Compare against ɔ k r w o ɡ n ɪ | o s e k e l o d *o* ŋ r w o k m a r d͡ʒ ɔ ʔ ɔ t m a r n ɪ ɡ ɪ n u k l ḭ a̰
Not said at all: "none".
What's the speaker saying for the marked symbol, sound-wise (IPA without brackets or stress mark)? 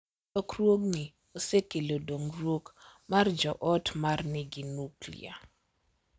o